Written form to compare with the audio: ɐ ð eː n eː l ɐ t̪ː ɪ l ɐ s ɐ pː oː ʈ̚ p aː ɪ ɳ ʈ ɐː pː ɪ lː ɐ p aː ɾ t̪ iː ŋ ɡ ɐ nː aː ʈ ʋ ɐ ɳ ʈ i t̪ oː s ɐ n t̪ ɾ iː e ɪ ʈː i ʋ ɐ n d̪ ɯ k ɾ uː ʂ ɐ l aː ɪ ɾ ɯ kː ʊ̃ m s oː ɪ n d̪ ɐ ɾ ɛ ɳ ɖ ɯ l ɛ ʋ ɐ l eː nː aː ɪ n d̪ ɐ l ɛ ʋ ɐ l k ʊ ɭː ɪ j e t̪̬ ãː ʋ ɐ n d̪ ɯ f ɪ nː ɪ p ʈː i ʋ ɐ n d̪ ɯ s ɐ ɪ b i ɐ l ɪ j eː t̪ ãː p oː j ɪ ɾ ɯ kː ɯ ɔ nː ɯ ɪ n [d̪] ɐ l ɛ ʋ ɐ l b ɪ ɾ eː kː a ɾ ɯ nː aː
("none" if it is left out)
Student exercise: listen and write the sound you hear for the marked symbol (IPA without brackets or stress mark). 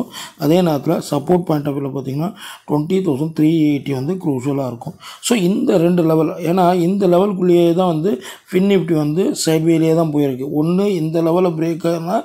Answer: d̪